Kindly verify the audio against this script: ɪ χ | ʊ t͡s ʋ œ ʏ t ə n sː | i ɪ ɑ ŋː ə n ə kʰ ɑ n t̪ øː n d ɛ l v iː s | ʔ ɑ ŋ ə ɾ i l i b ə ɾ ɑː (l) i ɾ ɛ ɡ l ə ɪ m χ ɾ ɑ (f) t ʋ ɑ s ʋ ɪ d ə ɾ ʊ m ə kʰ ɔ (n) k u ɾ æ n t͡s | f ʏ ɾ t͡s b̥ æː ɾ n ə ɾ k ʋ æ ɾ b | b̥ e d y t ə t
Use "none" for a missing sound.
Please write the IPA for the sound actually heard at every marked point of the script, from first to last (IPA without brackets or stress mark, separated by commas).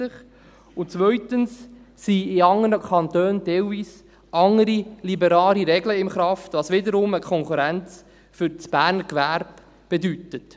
l, f, ŋ